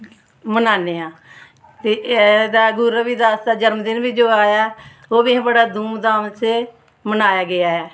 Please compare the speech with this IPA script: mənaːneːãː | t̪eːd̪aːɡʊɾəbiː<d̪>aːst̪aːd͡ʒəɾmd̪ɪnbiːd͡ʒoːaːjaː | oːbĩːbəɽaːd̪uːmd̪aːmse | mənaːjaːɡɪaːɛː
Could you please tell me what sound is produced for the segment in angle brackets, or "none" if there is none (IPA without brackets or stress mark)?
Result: d̪